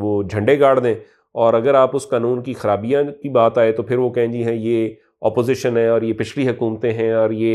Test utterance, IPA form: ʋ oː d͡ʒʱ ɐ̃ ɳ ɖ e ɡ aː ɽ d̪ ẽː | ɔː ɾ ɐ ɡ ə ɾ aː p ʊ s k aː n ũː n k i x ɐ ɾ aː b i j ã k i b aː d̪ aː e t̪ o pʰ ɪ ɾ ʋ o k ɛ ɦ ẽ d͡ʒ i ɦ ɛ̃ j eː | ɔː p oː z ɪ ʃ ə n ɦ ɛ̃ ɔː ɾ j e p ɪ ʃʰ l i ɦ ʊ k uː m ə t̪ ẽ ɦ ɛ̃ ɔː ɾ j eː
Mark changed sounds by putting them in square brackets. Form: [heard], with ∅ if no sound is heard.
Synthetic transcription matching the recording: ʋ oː d͡ʒʱ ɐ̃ ɳ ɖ e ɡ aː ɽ d̪ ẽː | ɔː ɾ ɐ ɡ ə ɾ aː p ʊ s k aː n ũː n k i x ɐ ɾ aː b i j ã k i b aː [t̪] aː e t̪ o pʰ ɪ ɾ ʋ o k ɛ ɦ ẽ d͡ʒ i ɦ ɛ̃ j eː | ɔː p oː z ɪ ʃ ə n ɦ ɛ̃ ɔː ɾ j e p ɪ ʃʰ l i ɦ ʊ k uː m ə t̪ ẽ ɦ ɛ̃ ɔː ɾ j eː